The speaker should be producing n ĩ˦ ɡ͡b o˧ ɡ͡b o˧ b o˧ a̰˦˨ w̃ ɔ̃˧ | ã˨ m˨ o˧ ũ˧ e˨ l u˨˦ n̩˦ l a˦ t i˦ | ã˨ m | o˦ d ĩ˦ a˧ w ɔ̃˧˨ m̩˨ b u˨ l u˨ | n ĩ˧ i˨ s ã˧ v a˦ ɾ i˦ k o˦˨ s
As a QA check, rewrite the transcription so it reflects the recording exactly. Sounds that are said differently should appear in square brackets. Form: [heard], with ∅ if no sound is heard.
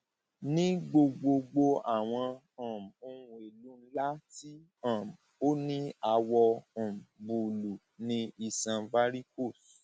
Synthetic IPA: n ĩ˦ ɡ͡b o˧ ɡ͡b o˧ [ɡ͡b] o˧ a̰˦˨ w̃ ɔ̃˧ | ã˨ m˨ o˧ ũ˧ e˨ l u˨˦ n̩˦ l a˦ t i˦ | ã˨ m | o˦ [n] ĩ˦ a˧ w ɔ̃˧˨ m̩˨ b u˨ l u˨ | n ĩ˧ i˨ s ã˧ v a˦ ɾ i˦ k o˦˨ s